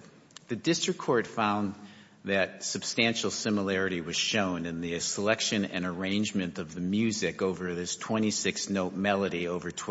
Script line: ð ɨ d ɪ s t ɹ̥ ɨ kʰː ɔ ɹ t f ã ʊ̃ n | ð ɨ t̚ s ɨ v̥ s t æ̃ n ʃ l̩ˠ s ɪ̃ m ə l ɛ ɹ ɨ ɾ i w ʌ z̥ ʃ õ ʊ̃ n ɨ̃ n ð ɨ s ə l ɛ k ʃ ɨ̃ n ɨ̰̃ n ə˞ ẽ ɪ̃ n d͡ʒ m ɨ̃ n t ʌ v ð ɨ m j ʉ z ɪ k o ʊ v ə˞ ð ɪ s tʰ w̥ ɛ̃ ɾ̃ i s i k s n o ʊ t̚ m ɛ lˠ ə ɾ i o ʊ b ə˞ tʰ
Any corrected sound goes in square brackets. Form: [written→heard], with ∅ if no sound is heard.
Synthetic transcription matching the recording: ð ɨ d ɪ s t ɹ̥ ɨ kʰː ɔ ɹ t f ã ʊ̃ n | ð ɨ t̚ s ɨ [v̥→b̥] s t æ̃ n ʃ l̩ˠ s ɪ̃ m ə l ɛ ɹ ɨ ɾ i w ʌ z̥ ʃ õ ʊ̃ n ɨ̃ n ð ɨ s ə l ɛ k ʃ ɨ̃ n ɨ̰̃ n ə˞ ẽ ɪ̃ n d͡ʒ m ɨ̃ n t ʌ v ð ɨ m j ʉ z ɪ k o ʊ v ə˞ ð ɪ s tʰ w̥ ɛ̃ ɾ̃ i s [i→ɪ] k s n o ʊ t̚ m ɛ lˠ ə ɾ i o ʊ [b→v] ə˞ tʰ